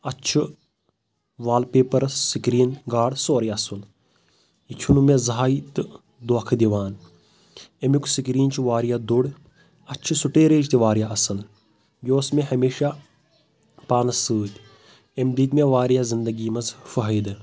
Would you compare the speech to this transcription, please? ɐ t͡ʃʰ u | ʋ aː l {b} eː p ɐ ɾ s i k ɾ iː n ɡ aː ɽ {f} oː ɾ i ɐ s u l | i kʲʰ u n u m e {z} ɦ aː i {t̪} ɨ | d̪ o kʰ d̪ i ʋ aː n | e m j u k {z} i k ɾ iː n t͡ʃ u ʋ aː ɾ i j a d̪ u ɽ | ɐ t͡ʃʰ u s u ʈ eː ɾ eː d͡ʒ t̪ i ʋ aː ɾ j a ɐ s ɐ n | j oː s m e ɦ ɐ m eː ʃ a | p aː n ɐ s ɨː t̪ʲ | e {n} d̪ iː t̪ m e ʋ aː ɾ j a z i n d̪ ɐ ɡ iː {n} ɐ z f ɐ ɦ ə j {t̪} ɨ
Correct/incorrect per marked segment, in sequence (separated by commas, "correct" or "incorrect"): incorrect, incorrect, correct, correct, incorrect, incorrect, incorrect, incorrect